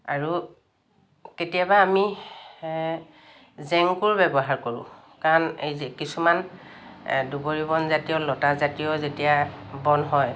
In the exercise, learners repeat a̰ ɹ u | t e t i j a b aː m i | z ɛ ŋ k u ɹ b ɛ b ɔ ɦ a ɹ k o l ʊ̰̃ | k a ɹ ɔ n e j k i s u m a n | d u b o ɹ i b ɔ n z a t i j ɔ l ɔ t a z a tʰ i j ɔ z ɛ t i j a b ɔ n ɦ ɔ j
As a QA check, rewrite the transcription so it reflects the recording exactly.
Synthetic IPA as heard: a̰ ɹ u | k e t i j a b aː m i | z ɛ ŋ k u ɹ b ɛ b ɔ ɦ a ɹ k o ɹ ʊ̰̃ | k a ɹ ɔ n e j k i s u m a n | d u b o ɹ i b ɔ n z a t i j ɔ l ɔ t a z a t i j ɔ z e t i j a b ɔ n ɦ ɔ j